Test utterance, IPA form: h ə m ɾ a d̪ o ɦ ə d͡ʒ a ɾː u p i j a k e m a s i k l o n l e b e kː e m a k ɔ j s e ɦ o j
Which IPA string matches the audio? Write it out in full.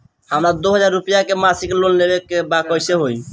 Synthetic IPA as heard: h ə m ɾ a d̪ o ɦ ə d͡ʒ a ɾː u p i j a k e m a s i k l o n l e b e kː e b a k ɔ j s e ɦ o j